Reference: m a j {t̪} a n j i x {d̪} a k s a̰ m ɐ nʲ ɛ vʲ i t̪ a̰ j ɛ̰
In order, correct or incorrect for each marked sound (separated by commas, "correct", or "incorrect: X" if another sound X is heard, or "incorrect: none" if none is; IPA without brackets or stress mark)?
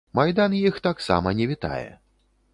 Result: incorrect: d̪, incorrect: t̪